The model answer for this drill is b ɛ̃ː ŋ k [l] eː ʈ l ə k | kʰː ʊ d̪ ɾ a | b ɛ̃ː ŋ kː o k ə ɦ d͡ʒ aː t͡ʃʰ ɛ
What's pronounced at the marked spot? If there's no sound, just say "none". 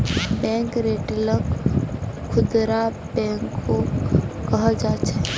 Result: ɾ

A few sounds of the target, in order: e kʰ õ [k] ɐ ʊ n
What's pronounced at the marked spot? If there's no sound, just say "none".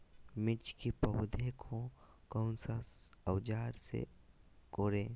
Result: k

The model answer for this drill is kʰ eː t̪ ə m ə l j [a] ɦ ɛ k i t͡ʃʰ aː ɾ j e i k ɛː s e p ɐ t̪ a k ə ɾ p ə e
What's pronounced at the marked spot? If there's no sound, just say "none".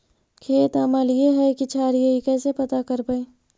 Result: e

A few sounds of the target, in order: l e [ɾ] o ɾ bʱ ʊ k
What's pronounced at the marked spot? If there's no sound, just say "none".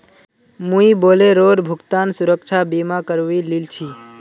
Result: ɾ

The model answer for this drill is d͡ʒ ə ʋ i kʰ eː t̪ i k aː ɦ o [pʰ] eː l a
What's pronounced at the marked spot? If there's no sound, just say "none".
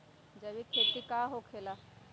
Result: kʰ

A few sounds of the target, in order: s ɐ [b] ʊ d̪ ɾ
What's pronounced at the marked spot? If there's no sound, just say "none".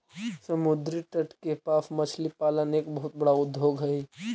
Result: m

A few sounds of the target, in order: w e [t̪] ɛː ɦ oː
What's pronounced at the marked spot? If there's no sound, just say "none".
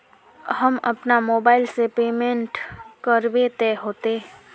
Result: t̪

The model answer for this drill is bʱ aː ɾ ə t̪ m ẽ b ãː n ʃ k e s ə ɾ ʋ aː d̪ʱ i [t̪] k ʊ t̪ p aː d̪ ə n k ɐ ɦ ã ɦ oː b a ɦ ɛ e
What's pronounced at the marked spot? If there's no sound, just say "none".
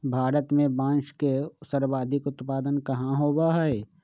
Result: none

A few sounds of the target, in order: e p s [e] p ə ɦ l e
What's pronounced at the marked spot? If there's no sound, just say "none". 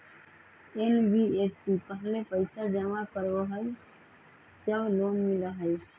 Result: i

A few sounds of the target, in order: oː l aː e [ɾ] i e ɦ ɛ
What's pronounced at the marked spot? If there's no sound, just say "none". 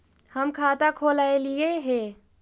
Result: l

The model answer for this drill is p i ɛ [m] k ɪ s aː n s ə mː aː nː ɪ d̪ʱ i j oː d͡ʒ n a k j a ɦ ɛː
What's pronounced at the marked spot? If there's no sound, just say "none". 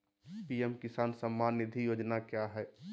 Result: m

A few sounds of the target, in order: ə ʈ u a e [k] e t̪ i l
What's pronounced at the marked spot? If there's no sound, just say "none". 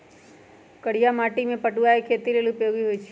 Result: kʰ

